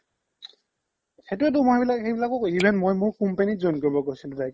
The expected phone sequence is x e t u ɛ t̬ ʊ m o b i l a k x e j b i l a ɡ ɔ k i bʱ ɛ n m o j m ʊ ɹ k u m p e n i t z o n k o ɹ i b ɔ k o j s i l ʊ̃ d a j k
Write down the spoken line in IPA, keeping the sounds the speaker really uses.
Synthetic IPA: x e t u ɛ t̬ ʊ m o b i l a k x e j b i l a k ɔ k i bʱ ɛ n m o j m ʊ ɹ k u m p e n i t z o n k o ɹ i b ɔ k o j s i l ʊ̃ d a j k